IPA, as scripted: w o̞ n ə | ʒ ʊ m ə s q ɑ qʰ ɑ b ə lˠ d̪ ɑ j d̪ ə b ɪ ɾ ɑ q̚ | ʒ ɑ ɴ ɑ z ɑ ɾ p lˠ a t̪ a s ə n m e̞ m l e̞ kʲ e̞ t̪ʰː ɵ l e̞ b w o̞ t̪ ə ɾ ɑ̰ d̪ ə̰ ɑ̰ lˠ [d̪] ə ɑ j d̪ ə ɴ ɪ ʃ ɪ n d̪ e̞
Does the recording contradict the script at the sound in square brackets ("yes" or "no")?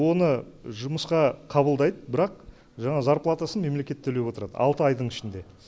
yes